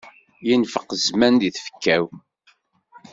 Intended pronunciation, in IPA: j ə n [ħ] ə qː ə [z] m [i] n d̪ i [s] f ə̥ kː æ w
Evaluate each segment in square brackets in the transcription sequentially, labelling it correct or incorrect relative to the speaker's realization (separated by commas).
incorrect, correct, incorrect, incorrect